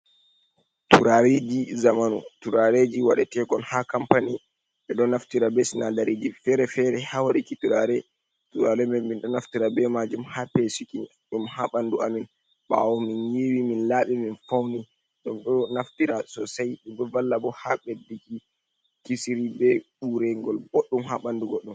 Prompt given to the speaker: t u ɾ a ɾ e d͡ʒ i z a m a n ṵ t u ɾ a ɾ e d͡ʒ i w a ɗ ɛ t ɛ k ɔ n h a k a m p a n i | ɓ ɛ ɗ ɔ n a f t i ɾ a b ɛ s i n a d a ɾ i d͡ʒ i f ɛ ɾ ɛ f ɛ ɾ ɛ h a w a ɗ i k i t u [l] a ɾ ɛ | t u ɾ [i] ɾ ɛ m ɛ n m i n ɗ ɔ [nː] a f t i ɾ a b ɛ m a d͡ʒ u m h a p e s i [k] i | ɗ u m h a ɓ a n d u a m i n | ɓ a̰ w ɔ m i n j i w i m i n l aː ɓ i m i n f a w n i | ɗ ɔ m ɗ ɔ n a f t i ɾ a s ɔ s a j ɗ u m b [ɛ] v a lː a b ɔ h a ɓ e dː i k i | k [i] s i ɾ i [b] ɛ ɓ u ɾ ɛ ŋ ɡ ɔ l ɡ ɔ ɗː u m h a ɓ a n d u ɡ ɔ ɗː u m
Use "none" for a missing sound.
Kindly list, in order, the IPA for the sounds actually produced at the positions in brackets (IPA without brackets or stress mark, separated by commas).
ɾ, a, n, k, ɛ, i, b